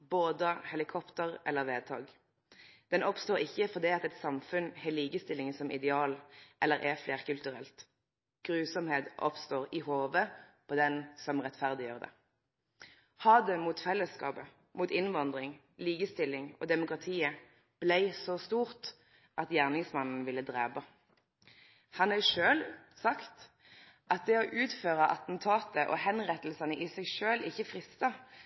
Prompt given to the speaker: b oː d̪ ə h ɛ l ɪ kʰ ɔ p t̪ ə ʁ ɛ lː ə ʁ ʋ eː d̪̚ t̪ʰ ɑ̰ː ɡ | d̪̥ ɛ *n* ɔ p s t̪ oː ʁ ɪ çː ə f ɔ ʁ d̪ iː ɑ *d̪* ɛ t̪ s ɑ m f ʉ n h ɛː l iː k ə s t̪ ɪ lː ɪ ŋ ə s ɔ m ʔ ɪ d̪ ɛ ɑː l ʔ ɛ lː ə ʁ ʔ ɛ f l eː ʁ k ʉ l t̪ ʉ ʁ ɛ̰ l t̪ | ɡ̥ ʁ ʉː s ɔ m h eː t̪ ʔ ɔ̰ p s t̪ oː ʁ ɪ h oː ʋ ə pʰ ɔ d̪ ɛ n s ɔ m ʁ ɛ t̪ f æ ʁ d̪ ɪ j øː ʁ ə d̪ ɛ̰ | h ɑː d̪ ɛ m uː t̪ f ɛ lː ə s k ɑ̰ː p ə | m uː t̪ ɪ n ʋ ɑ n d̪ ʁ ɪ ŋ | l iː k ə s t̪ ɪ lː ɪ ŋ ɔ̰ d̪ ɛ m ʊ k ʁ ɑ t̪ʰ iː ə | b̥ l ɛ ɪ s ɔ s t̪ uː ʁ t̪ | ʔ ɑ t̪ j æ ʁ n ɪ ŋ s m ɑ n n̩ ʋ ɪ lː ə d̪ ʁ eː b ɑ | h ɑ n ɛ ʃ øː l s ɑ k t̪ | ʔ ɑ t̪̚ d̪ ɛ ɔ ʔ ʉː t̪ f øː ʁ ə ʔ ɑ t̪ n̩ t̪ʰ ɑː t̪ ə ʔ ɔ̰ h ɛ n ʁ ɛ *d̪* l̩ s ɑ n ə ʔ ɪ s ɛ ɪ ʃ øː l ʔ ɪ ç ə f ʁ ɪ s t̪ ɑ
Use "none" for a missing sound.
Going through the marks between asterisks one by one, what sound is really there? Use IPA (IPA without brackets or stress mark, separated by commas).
n, t̪, t̪